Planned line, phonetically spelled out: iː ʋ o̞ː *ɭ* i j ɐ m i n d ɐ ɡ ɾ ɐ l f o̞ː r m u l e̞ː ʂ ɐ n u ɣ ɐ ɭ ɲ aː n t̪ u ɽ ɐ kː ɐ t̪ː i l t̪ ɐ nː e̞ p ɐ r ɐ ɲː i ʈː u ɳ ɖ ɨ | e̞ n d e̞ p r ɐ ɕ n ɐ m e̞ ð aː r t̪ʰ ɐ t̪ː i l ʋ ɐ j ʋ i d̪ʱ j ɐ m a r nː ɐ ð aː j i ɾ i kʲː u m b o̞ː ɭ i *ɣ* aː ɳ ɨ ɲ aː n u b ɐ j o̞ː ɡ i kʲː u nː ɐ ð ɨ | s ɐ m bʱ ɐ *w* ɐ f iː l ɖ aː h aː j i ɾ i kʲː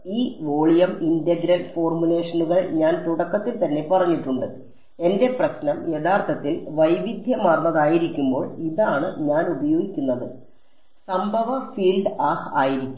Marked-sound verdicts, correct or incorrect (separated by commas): correct, incorrect, incorrect